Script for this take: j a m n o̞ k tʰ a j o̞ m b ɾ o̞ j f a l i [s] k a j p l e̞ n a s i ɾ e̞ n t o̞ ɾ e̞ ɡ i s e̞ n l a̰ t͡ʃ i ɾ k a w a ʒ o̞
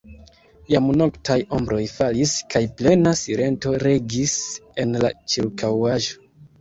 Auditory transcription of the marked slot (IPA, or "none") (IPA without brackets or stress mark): s